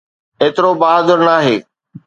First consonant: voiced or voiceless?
voiceless